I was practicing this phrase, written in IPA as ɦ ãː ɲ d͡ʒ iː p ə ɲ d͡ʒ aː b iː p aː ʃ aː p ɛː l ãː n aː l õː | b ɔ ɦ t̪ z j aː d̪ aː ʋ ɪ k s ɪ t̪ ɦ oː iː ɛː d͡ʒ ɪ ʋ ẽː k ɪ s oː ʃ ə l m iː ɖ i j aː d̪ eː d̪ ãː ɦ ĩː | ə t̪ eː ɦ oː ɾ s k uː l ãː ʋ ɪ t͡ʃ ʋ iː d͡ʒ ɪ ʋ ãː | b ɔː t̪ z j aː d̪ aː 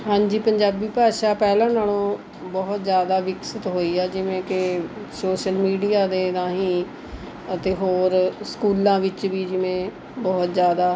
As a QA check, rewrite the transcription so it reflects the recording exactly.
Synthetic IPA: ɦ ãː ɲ d͡ʒ iː p ə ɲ d͡ʒ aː b iː p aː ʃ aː p ɛː l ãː n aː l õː | b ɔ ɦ t̪ z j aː d̪ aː ʋ ɪ k s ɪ t̪ ɦ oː iː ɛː d͡ʒ ɪ ʋ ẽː k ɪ s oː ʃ ə l m iː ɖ i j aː d̪ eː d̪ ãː ɦ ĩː | ə t̪ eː ɦ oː ɾ s k uː l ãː ʋ ɪ t͡ʃ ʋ iː d͡ʒ ɪ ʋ ẽː | b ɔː t̪ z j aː d̪ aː

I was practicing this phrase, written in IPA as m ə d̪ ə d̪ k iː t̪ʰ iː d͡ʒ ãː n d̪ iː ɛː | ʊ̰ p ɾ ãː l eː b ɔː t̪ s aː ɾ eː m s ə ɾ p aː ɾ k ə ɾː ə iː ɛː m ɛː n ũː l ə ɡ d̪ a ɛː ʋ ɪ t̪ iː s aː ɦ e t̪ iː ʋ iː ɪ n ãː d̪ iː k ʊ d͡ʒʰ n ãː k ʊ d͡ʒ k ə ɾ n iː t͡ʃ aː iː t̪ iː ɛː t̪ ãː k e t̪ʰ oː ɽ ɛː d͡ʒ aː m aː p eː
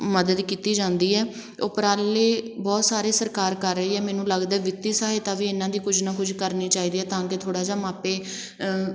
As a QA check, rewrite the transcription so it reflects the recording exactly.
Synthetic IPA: m ə d̪ ə d̪ k iː t̪ iː d͡ʒ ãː n d̪ iː ɛː | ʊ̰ p ɾ aː l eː b ɔː t̪ s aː ɾ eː s ə ɾ k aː ɾ k ə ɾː ə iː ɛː m ɛː n ũː l ə ɡ d̪ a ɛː ʋ ɪ t̪ iː s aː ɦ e t̪ aː ʋ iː ɪ n ãː d̪ iː k ʊ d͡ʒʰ n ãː k ʊ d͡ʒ k ə ɾ n iː t͡ʃ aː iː d̪ iː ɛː t̪ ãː k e t̪ʰ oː ɽ aː d͡ʒ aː m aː p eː

